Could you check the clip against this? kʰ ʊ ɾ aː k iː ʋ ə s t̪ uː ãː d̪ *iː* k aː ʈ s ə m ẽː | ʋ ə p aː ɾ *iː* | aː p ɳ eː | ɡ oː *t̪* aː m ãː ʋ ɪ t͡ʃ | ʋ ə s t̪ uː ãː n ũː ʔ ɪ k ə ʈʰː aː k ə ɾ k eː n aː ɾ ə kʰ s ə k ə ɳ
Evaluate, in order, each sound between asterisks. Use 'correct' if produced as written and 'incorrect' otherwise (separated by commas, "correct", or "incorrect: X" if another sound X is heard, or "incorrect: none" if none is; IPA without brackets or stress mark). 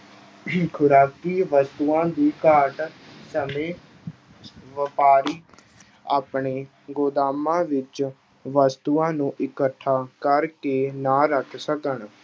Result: correct, correct, incorrect: d̪